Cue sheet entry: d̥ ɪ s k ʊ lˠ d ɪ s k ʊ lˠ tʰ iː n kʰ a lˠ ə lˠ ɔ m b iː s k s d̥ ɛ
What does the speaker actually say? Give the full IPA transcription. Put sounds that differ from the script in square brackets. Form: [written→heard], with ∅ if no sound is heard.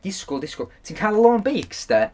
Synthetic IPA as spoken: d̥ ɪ s k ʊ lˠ d ɪ s k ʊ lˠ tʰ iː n kʰ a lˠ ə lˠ ɔ [m→ŋ] b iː [s→∅] k s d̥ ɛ